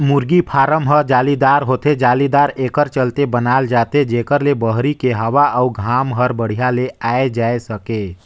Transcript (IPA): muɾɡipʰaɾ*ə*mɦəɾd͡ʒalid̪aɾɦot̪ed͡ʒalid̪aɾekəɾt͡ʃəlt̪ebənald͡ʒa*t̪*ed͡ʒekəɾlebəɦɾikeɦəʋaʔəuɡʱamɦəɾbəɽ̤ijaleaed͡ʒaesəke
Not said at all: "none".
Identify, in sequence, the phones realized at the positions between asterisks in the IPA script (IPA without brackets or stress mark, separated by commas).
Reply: ə, t̪